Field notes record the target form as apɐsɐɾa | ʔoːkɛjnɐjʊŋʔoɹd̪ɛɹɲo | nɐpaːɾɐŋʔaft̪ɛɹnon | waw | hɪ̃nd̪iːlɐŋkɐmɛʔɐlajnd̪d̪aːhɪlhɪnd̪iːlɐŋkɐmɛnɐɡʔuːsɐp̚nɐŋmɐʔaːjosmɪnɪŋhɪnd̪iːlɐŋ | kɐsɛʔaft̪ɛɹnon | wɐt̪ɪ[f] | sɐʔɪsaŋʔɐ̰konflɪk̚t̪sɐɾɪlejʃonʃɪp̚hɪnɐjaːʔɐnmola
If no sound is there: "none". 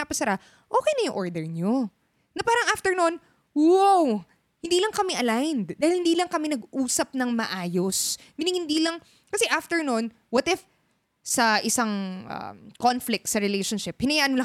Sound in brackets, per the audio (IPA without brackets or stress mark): f